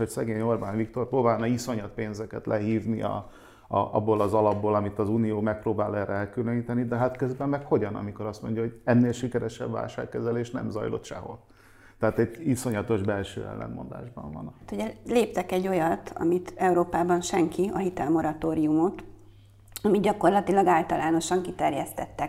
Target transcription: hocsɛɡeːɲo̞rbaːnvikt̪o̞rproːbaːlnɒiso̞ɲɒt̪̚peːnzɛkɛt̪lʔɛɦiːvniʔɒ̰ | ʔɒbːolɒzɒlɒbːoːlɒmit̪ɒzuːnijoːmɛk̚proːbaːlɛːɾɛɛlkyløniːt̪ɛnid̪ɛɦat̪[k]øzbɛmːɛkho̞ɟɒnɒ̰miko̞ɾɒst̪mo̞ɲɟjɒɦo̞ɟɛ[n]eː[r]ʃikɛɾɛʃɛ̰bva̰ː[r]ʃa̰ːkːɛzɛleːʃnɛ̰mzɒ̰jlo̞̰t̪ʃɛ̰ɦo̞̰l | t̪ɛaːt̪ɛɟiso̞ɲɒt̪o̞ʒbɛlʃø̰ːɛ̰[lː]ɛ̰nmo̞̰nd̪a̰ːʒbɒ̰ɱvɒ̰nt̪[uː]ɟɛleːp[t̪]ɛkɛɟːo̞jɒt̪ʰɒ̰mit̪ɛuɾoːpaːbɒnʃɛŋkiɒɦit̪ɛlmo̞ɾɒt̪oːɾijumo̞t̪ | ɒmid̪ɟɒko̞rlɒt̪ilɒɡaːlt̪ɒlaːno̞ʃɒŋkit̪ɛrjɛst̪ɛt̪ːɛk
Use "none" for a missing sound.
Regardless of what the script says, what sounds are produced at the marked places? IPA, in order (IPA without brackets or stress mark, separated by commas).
k, nː, l, l, lː, u, t̪